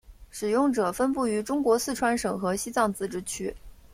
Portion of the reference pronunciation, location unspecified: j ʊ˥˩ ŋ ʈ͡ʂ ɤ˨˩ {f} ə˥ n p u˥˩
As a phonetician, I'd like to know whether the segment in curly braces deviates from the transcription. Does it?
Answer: no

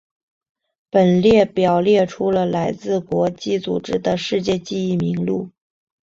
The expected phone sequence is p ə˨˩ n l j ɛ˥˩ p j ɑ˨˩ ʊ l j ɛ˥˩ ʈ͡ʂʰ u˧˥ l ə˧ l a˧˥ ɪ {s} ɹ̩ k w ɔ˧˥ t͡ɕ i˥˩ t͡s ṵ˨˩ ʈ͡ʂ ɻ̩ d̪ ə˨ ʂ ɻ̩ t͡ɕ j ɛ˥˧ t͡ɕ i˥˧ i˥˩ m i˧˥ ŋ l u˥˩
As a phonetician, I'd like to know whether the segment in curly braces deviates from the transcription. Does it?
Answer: yes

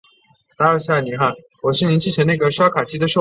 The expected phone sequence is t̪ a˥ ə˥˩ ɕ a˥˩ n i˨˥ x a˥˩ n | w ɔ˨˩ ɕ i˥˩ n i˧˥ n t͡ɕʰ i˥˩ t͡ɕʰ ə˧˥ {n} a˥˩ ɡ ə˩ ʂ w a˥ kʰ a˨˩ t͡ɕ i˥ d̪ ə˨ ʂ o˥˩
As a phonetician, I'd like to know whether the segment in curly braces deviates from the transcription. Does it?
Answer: no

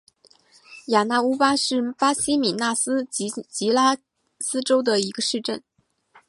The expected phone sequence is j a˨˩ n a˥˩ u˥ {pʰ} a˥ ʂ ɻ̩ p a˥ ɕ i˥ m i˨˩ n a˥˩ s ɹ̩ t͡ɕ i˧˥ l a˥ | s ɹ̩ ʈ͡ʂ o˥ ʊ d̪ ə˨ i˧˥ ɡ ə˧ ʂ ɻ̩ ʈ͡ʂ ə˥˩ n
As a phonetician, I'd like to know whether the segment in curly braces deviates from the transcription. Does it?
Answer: yes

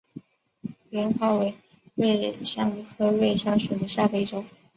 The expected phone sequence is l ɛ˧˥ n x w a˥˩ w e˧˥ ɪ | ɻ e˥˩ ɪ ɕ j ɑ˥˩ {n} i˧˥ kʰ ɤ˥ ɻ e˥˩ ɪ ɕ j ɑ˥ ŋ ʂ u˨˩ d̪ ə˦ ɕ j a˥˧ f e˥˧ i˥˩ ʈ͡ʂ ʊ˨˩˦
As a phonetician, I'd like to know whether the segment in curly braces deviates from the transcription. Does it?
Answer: yes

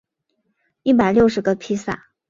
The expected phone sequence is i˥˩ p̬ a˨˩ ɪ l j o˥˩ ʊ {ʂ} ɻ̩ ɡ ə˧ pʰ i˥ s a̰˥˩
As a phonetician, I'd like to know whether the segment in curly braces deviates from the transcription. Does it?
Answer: no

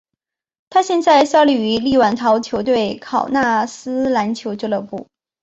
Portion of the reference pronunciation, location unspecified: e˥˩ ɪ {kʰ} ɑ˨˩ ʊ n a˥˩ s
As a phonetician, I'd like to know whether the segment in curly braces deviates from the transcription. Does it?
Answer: no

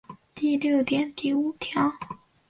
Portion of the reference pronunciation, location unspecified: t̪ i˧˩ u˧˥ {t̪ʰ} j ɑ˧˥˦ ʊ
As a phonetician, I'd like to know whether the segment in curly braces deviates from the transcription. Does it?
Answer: no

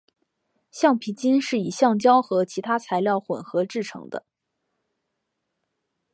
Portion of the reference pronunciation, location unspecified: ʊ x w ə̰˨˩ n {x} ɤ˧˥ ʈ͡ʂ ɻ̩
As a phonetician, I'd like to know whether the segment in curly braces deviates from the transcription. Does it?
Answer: no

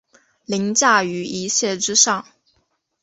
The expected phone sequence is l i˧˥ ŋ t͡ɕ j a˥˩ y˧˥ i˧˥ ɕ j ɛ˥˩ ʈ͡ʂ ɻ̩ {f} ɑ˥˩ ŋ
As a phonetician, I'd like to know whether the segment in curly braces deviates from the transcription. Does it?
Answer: yes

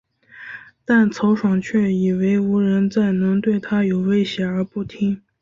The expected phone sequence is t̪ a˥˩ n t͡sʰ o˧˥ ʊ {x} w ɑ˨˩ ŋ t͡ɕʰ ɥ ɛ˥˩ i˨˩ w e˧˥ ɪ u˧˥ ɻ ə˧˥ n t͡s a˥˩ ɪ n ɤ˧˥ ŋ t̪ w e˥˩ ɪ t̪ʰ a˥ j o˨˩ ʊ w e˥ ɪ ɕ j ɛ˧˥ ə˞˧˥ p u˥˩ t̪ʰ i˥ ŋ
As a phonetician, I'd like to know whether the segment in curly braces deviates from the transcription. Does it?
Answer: yes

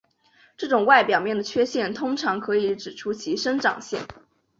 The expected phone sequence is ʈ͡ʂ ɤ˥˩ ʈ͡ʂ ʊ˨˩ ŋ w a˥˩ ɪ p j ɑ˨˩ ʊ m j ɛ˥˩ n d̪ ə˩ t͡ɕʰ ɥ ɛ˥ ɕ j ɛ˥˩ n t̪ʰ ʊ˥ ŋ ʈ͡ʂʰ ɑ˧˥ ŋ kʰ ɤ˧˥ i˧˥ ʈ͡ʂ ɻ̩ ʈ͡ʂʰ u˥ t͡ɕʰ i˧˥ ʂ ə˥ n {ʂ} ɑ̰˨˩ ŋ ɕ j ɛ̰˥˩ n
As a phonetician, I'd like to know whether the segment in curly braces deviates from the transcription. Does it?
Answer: yes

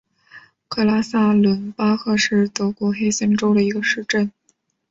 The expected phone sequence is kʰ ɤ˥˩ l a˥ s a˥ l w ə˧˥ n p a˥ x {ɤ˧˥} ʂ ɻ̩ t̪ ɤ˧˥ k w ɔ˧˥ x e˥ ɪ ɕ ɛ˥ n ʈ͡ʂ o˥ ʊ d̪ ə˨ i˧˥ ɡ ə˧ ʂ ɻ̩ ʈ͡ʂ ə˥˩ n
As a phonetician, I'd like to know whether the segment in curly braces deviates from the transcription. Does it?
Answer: yes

